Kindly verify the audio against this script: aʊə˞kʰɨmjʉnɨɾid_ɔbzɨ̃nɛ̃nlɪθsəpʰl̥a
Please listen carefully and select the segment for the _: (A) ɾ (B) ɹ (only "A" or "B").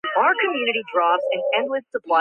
B